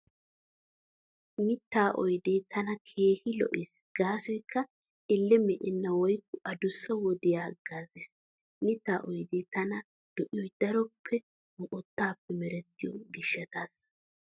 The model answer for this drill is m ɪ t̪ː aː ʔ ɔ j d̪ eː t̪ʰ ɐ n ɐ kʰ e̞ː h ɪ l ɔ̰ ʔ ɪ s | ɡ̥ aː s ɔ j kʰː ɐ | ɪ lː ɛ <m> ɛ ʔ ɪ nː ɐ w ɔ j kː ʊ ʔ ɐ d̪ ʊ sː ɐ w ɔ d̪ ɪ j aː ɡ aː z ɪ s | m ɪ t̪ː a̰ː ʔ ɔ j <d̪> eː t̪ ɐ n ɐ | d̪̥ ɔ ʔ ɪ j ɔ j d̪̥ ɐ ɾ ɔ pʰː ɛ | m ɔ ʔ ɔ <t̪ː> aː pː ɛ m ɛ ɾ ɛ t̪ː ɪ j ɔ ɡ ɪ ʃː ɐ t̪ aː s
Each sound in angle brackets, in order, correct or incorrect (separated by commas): correct, correct, correct